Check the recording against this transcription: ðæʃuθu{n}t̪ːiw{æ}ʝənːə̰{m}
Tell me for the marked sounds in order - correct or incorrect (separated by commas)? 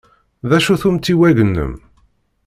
incorrect, correct, correct